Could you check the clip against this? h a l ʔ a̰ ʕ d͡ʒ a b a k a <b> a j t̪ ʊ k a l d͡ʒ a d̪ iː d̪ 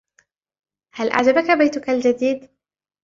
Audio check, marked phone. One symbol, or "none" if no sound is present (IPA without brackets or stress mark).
b